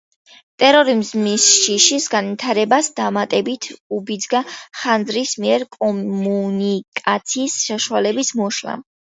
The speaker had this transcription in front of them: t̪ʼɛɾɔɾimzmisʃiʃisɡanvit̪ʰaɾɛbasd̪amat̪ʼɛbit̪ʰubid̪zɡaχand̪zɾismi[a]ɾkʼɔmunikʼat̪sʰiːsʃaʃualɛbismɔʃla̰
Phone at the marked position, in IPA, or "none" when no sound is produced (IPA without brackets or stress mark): ɛ